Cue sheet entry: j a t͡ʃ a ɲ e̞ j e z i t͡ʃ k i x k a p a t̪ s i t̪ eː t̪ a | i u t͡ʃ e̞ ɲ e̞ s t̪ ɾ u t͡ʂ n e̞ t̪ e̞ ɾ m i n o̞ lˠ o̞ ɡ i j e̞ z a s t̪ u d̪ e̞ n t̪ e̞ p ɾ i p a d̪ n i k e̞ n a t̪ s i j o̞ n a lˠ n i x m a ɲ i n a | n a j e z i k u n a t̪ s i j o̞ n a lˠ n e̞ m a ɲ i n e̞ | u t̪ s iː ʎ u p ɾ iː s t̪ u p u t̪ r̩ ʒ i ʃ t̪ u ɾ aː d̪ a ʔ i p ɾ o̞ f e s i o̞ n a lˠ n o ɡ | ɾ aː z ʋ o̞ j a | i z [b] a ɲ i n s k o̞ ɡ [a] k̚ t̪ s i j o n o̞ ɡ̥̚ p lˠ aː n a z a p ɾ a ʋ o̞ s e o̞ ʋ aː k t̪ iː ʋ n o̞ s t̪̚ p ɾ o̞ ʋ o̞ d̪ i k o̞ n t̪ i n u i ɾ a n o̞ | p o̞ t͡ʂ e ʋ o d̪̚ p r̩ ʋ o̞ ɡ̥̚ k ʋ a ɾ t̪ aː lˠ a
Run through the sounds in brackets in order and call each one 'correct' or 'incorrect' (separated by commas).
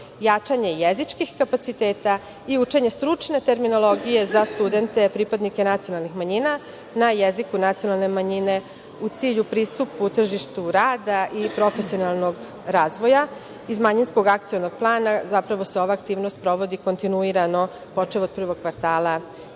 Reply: incorrect, correct